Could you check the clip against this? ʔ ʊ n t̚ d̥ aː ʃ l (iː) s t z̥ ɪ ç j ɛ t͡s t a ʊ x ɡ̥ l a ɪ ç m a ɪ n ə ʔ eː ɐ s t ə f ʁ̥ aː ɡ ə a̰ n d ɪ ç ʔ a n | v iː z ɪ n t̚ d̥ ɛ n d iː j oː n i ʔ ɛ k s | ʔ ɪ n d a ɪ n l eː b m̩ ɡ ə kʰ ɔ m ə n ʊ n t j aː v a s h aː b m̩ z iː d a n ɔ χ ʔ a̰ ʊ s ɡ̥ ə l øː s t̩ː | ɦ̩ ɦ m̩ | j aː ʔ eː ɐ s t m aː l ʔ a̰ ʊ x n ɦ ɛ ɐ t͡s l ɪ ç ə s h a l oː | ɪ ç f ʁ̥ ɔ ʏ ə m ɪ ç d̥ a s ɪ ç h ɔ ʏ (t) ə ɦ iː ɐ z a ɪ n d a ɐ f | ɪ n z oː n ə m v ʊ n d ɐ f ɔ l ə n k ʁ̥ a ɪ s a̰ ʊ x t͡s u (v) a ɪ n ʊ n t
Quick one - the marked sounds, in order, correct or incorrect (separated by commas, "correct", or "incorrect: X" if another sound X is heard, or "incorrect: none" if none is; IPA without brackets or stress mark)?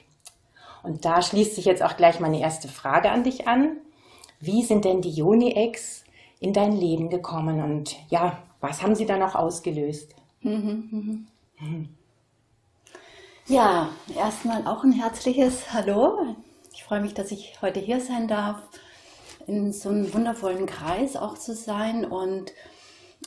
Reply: correct, correct, incorrect: z